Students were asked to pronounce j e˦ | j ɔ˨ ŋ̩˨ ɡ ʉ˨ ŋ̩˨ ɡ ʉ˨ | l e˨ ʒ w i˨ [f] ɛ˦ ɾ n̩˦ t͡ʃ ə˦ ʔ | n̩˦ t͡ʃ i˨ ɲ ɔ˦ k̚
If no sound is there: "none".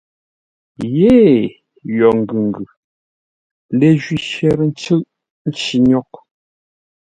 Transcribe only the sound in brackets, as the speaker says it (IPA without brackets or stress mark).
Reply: ʃ